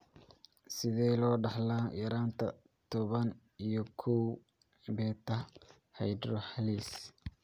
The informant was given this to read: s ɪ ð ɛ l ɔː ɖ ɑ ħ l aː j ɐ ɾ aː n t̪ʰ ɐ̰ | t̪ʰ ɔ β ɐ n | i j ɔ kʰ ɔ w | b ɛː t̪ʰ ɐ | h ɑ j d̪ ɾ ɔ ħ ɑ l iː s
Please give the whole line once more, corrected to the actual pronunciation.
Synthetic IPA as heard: s ɪ ð ɛ l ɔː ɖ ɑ ħ l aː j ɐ ɾ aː n t̪ʰ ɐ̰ | t̪ʰ ɔ β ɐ n | i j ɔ kʰ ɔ w | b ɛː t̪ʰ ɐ | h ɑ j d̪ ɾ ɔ ħ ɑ l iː s